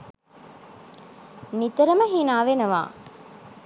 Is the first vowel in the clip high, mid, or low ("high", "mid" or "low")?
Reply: high